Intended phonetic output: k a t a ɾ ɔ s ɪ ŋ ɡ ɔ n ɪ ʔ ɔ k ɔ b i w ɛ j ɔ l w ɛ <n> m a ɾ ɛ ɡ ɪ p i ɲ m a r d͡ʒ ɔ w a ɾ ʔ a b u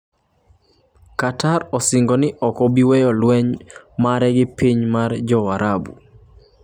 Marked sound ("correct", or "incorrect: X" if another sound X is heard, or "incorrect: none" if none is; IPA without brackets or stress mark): incorrect: ɲ